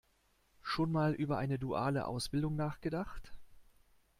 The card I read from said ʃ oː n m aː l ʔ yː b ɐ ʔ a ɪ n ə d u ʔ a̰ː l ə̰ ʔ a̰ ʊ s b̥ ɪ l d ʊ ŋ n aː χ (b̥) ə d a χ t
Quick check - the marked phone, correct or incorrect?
incorrect